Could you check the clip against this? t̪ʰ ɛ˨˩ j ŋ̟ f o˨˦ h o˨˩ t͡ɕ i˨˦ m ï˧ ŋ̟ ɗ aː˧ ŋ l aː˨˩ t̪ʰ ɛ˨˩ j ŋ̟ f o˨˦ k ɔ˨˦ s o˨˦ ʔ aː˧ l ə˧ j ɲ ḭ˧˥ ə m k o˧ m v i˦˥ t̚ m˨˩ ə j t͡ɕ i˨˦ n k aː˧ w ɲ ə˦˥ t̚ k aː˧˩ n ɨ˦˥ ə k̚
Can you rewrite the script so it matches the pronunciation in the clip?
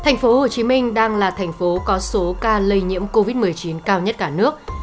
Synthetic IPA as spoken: t̪ʰ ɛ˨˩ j ŋ̟ f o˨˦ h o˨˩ t͡ɕ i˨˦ m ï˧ ŋ̟ ɗ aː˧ ŋ l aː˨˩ t̪ʰ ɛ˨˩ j ŋ̟ f o˨˦ k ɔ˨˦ s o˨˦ k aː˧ l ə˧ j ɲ ḭ˧˥ ə m k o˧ v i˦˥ t̚ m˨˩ ə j t͡ɕ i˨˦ n k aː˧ w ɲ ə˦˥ t̚ k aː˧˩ n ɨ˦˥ ə k̚